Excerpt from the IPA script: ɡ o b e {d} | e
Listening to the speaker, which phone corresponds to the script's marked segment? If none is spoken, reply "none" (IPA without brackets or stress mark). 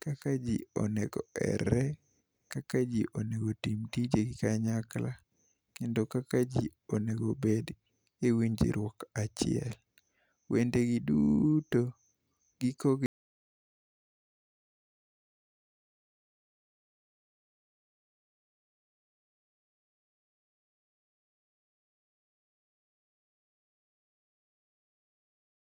d